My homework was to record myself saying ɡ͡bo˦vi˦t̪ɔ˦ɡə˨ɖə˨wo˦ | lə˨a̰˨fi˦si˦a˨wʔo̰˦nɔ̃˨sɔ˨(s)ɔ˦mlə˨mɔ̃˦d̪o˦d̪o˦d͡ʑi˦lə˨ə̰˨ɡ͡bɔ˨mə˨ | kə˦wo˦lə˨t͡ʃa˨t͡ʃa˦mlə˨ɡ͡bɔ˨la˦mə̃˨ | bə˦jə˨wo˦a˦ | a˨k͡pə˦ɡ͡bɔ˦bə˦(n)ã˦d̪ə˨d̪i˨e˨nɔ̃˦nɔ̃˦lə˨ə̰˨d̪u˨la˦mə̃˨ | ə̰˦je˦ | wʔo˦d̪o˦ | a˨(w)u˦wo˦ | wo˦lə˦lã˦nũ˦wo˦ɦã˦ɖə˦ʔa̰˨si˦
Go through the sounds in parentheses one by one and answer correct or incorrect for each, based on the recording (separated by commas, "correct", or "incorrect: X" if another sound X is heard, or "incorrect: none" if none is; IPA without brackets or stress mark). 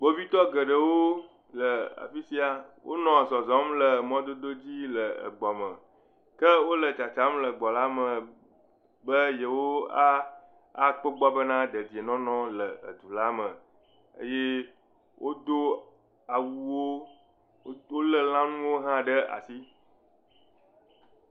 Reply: incorrect: z, correct, correct